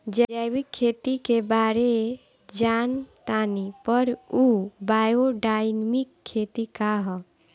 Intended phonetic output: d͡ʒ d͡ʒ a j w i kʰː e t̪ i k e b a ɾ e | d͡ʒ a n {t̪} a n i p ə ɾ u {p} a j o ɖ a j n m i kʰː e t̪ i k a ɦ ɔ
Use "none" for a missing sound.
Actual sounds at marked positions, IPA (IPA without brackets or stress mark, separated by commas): t̪, b